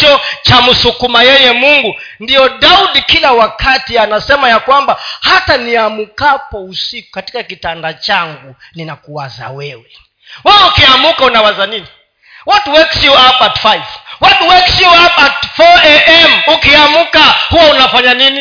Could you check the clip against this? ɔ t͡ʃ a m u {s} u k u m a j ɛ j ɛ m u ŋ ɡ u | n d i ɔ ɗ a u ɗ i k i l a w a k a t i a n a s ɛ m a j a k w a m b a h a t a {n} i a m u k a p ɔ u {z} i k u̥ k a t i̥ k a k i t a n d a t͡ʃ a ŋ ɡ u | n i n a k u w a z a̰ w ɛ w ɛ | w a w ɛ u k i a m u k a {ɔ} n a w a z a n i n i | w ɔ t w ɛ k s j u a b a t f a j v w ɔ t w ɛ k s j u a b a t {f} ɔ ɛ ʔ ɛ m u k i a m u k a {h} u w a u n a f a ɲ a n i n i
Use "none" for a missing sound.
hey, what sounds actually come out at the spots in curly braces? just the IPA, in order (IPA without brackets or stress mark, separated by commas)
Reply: s, n, s, u, f, h